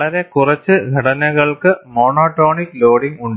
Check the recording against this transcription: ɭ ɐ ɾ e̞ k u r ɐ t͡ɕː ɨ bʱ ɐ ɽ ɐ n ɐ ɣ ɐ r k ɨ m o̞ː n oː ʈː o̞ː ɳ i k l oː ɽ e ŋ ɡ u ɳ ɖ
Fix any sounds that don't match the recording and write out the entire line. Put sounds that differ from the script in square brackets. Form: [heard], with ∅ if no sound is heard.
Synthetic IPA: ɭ ɐ ɾ e̞ k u r ɐ t͡ɕː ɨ [ɡʱ] ɐ ɽ ɐ n ɐ ɣ ɐ [ɭ] k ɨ m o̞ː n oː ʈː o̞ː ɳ i k l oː ɽ [i] ŋ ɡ u ɳ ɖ